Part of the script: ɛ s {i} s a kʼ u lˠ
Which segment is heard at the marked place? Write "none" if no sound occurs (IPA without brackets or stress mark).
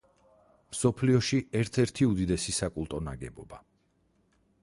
i